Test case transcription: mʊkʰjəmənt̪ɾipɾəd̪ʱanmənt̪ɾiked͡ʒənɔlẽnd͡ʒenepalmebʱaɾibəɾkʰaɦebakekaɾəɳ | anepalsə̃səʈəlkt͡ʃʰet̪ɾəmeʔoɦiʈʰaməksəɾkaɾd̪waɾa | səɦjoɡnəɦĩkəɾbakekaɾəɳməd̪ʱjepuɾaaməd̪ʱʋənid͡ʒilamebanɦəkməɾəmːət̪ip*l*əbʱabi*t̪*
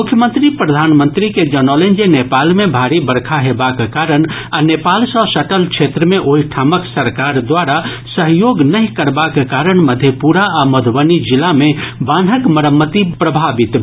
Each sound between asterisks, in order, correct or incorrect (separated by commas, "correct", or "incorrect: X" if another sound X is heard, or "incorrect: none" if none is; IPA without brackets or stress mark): incorrect: ɾ, correct